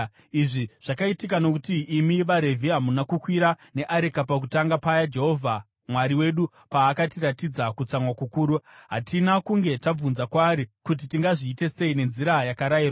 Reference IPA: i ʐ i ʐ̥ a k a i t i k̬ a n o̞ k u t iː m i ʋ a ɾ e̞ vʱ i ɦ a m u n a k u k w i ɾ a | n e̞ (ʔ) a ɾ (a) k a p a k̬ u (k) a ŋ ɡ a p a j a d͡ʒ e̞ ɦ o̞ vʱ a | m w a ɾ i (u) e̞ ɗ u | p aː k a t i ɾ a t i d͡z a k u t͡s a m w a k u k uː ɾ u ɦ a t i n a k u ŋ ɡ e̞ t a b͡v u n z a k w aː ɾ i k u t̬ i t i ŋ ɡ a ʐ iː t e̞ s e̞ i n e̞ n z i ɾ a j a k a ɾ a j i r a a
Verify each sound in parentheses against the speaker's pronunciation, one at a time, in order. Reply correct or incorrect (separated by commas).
correct, incorrect, incorrect, incorrect